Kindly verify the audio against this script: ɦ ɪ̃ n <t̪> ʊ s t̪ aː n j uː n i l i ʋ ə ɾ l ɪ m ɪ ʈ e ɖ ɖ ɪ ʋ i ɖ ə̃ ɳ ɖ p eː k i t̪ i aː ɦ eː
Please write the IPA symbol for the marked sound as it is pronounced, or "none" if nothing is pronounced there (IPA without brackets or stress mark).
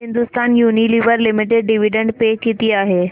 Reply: d̪